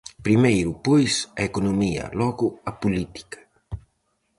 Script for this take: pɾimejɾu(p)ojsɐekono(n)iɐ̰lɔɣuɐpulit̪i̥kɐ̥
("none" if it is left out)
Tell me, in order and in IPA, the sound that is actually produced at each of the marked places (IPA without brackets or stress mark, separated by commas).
p, m